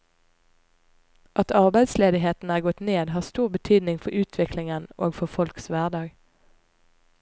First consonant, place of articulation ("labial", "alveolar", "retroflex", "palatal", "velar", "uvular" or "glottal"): glottal